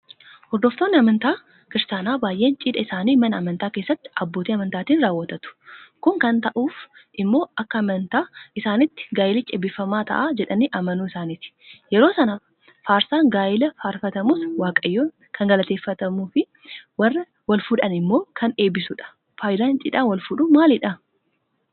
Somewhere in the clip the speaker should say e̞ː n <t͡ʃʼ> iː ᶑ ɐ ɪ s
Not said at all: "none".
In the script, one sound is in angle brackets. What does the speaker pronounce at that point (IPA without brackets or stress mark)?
t͡ʃʼ